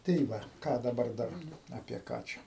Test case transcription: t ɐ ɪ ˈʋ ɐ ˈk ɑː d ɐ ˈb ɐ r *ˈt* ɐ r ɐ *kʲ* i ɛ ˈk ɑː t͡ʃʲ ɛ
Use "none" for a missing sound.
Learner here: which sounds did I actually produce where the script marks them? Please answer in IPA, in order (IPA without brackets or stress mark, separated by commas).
d, pʲ